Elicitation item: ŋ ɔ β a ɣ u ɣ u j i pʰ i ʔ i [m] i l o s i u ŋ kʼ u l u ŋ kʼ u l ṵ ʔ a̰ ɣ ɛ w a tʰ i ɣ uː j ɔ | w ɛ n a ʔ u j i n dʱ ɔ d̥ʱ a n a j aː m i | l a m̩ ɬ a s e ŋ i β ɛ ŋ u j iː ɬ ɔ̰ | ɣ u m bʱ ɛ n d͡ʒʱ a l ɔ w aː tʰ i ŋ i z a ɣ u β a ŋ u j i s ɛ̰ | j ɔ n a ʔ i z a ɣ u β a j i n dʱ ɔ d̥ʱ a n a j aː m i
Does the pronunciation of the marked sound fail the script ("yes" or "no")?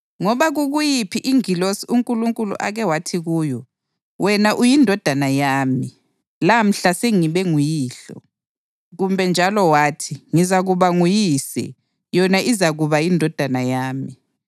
yes